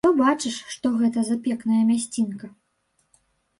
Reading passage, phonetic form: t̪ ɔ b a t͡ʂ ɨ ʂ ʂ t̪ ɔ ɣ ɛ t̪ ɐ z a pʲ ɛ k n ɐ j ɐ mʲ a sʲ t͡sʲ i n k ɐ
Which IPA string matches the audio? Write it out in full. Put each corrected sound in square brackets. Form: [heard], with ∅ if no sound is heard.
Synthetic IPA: t̪ ɔ b a t͡ʂ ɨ ʂ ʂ t̪ ɔ ɣ ɛ t̪ ɐ z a pʲ ɛ k n ɐ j ɐ mʲ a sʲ t͡sʲ i n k ɐ